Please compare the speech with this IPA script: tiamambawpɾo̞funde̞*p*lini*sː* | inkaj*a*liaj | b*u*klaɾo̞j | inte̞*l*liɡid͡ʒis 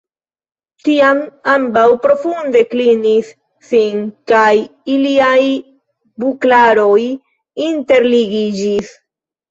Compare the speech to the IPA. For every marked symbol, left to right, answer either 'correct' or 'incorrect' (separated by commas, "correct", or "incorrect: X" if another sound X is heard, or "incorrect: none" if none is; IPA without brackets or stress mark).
incorrect: k, correct, incorrect: i, correct, incorrect: ɾ